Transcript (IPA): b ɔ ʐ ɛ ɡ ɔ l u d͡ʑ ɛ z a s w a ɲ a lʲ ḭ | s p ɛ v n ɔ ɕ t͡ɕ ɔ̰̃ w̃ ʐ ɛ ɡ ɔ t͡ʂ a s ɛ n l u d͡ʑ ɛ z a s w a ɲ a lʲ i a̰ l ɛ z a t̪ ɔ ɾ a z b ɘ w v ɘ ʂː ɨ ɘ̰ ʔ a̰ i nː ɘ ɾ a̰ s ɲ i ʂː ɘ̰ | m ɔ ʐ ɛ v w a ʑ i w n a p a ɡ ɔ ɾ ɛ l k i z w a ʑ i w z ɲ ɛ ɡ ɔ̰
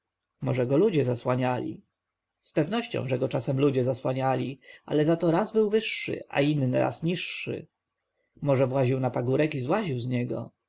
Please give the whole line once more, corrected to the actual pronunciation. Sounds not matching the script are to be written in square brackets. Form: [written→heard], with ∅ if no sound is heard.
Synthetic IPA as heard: [b→m] ɔ ʐ ɛ ɡ ɔ l u d͡ʑ ɛ z a s w a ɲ a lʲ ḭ | s p ɛ v n ɔ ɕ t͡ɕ ɔ̰̃ w̃ ʐ ɛ ɡ ɔ t͡ʂ a s ɛ [n→m] l u d͡ʑ ɛ z a s w a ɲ a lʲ i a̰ l ɛ z a t̪ ɔ ɾ a z b ɘ w v ɘ ʂː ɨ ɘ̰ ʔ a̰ i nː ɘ ɾ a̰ s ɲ i ʂː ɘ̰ | m ɔ ʐ ɛ v w a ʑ i w n a p a ɡ [ɔ→u] ɾ ɛ [l→∅] k i z w a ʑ i w z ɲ ɛ ɡ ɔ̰